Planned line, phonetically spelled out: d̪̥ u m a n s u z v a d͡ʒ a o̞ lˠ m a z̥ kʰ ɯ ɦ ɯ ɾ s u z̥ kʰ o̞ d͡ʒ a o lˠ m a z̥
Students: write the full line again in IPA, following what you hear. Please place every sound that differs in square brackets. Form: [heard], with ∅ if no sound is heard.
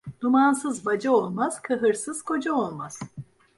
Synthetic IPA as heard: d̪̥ u m a n s [ɯ] z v a d͡ʒ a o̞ lˠ m a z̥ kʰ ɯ ɦ ɯ ɾ s [ɯ] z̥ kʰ o̞ d͡ʒ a o lˠ m a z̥